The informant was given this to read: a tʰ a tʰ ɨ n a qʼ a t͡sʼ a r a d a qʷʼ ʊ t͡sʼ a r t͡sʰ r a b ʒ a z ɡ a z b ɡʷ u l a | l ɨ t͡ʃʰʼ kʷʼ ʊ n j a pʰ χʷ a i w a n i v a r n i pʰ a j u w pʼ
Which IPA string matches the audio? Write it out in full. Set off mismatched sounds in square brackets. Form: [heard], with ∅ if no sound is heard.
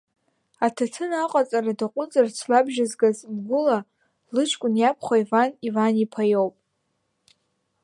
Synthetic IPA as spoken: a tʰ a tʰ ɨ n a qʼ a t͡sʼ a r a d a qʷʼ ʊ t͡sʼ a r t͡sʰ [l] a b ʒ a z ɡ a z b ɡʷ [ʊ] l a | l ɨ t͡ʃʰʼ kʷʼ ʊ n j a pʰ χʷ a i [v] a n i v a [∅] n i pʰ a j [o] w pʼ

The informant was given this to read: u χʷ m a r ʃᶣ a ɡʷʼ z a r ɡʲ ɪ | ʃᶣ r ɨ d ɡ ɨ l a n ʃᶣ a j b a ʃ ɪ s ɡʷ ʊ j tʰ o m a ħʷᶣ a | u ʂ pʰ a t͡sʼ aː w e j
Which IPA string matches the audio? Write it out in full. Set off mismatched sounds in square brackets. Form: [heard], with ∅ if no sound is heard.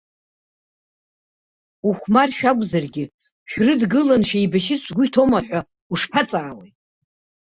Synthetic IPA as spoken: u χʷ m a r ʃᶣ a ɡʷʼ z a r ɡʲ ɪ | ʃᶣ r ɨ d ɡ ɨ l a n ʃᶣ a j b a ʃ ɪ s ɡʷ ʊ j tʰ o m a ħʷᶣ a | u ʂ pʰ a t͡sʼ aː w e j

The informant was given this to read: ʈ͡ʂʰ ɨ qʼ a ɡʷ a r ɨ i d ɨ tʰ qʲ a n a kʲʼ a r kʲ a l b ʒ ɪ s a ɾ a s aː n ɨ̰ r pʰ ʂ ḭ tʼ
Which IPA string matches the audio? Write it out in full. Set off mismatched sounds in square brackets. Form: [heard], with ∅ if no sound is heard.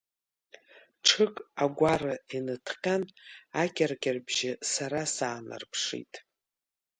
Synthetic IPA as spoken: ʈ͡ʂʰ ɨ [kʼ] a ɡʷ a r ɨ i [n] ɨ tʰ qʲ a n a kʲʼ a r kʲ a [r] b ʒ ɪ s a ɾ a s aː n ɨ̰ r pʰ ʂ ḭ tʼ

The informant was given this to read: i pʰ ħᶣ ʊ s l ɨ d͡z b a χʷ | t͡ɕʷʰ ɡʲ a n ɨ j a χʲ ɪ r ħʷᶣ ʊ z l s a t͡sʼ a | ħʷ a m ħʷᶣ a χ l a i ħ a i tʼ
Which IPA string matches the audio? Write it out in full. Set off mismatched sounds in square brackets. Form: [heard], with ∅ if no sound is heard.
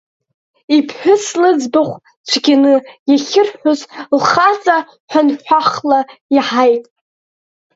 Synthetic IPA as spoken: i pʰ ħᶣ ʊ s l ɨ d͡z b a χʷ | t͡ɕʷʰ ɡʲ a n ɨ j a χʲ ɪ r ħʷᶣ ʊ z l [χ] a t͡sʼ a | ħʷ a [n] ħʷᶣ a χ l a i ħ a [j] tʼ

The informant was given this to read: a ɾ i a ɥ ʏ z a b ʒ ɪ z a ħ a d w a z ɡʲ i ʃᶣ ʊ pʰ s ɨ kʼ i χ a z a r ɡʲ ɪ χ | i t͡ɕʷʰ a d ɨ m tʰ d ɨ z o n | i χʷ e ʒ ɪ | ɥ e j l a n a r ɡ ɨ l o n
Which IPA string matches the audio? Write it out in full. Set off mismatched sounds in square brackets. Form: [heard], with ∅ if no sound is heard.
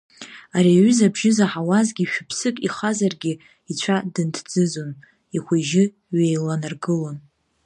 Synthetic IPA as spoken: a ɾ i a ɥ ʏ z a b ʒ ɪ z a ħ a [∅] w a z ɡʲ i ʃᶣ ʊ pʰ s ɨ kʼ i χ a z a r ɡʲ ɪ [∅] | i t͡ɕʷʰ a d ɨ [n] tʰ [d͡z] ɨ z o n | i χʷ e ʒ ɪ | ɥ e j l a n a r ɡ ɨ l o n

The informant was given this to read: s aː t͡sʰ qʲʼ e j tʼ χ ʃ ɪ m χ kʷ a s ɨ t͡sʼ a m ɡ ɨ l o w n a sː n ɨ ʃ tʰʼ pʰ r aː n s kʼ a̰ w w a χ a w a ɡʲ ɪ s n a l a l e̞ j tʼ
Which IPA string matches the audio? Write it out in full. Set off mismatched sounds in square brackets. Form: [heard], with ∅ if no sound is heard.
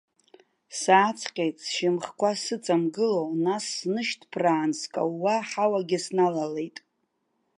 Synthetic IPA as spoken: s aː t͡sʰ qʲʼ e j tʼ [s] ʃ ɪ m χ kʷ a s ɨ t͡sʼ a m ɡ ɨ l o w n a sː n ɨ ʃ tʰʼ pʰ r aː n s kʼ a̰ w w a [ħ] a w a ɡʲ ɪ s n a l a l e̞ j tʼ

